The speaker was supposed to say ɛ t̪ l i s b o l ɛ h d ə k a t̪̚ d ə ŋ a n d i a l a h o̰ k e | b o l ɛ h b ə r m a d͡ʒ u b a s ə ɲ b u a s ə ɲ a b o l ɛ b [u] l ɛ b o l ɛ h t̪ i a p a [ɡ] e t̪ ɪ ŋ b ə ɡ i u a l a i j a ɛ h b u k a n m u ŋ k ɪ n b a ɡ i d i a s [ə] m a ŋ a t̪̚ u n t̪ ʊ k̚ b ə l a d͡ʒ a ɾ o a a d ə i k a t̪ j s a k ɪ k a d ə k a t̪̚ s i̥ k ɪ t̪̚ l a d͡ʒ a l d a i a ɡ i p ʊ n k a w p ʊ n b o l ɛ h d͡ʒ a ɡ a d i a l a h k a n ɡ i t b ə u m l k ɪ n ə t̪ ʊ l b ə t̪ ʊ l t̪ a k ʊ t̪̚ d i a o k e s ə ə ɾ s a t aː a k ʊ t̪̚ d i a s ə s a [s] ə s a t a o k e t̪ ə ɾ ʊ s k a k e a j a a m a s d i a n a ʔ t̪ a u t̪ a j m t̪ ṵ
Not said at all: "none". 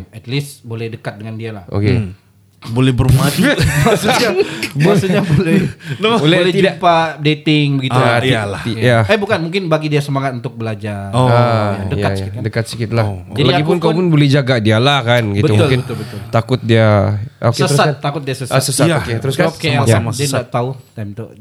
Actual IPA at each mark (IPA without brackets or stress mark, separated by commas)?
o, d, ə, s